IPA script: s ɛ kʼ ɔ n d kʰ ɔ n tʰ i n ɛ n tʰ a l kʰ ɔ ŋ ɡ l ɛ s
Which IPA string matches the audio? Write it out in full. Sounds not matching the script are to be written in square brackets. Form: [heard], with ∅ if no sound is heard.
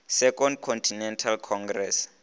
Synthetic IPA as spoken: s ɛ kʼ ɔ n d kʰ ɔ n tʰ i n ɛ n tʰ a l kʰ ɔ ŋ ɡ [r] ɛ s